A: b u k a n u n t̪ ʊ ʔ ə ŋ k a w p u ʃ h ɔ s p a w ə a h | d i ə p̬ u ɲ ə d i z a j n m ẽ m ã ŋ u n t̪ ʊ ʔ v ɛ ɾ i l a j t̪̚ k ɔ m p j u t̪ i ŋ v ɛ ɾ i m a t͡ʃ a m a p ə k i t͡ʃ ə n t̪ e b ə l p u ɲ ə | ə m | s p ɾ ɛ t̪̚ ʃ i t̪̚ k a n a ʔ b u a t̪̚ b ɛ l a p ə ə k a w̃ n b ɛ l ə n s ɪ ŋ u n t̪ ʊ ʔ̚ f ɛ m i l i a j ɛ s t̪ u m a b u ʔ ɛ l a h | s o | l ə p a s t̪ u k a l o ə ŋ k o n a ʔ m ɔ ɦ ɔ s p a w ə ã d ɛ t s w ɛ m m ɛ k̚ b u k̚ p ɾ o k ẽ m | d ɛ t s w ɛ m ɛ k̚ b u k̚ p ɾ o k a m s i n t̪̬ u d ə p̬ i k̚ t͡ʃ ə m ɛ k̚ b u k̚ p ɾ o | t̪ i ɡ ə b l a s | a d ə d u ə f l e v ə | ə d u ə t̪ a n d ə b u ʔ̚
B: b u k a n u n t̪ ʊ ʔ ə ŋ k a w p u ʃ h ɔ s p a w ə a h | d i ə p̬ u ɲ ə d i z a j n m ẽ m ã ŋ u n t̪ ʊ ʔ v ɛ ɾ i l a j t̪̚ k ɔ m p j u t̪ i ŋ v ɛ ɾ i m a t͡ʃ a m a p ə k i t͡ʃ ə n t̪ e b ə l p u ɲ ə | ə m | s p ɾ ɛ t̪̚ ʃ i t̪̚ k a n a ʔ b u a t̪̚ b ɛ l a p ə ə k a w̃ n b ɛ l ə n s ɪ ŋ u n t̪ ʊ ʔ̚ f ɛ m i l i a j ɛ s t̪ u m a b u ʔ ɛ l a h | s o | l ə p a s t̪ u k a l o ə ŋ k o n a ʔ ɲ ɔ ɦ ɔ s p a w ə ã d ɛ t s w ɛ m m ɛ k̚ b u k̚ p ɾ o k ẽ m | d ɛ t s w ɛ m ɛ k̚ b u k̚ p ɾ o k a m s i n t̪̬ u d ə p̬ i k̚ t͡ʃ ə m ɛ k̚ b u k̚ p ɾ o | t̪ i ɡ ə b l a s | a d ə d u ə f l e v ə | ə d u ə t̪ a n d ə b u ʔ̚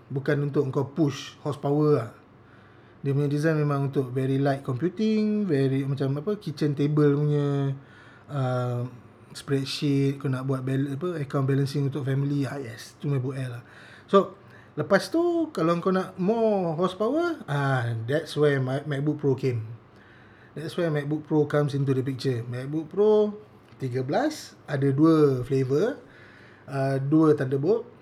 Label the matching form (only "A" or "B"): A